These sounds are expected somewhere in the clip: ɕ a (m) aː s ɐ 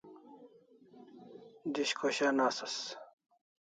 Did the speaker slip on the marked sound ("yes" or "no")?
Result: yes